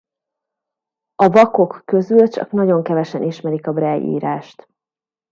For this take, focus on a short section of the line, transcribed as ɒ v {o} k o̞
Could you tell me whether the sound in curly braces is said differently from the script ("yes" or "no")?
yes